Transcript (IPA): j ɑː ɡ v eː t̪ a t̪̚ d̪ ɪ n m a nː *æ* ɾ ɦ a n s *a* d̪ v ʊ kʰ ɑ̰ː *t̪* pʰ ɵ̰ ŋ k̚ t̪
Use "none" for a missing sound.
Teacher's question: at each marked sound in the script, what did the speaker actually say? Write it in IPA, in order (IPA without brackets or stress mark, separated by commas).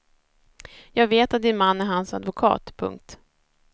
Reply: æ, a, t̪